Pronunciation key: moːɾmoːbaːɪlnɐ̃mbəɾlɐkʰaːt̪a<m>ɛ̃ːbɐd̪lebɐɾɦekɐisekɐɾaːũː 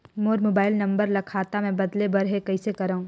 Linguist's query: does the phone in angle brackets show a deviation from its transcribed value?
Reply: no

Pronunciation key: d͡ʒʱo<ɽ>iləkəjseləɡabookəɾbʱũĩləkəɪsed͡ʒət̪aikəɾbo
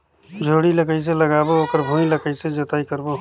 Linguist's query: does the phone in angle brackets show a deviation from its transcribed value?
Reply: no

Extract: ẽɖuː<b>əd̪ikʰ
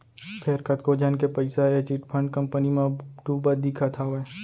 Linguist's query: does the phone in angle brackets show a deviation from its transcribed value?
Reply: no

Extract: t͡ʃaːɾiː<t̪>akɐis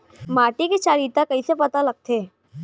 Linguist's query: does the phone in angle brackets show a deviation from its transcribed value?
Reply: no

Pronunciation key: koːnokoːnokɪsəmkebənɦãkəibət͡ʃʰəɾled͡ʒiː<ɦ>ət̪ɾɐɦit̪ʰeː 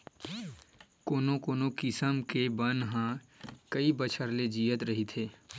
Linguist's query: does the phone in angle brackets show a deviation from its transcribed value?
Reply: yes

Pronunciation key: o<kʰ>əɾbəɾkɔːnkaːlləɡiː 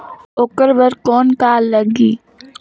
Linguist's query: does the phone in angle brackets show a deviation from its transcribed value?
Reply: yes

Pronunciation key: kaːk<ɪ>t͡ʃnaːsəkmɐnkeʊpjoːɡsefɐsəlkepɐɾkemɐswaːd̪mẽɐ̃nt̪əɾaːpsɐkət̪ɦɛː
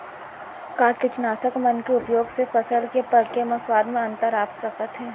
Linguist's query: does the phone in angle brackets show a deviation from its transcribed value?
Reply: no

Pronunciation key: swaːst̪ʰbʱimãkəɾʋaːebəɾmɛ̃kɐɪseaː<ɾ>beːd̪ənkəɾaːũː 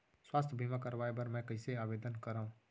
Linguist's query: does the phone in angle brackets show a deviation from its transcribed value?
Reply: yes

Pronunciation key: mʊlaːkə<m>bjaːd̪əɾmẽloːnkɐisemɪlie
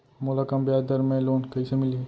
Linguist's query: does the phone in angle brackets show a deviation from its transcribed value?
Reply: no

